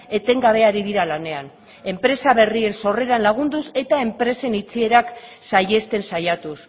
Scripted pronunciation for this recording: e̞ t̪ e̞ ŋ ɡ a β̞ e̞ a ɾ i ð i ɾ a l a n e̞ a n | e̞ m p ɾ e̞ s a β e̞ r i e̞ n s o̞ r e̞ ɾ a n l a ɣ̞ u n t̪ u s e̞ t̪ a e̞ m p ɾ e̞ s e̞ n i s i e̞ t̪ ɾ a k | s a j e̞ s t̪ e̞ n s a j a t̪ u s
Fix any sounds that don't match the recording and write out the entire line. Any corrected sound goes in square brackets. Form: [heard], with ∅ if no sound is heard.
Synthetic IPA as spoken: e̞ t̪ e̞ ŋ ɡ a β̞ e̞ a ɾ i ð i ɾ a l a n e̞ a n | e̞ m p ɾ e̞ s a β e̞ r i e̞ n s o̞ r e̞ ɾ a n l a ɣ̞ u n [d̪] u s e̞ t̪ a e̞ m p ɾ e̞ s e̞ n i [t͡s] i e̞ [∅] ɾ a k | s a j e̞ s t̪ e̞ n s a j a t̪ u s